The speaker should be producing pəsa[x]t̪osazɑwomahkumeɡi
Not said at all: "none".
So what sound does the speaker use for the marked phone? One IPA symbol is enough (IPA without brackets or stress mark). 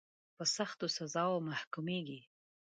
x